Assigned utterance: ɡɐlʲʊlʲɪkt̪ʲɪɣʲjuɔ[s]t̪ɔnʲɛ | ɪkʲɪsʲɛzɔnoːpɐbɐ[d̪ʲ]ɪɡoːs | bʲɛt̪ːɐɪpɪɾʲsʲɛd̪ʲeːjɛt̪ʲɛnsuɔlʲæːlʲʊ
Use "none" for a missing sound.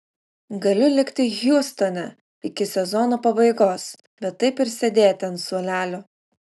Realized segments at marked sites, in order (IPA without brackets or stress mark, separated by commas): s, none